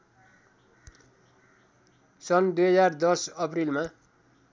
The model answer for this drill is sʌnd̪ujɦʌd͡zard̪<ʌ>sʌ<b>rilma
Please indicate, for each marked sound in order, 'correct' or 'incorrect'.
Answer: correct, incorrect

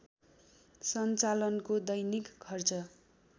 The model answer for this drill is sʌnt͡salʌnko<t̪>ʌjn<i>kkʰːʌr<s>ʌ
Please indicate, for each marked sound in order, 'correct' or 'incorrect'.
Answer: incorrect, correct, incorrect

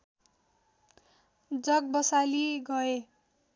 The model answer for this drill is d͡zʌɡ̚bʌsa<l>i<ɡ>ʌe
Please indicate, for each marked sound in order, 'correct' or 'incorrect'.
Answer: correct, correct

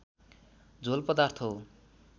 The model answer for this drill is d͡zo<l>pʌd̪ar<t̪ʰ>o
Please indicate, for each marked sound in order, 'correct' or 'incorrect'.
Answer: correct, correct

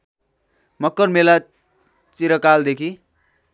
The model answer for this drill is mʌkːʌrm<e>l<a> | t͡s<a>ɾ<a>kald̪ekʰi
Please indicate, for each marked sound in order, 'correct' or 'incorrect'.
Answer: correct, correct, incorrect, incorrect

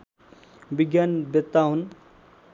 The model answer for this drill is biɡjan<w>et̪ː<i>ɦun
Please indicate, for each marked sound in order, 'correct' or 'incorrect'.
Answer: incorrect, incorrect

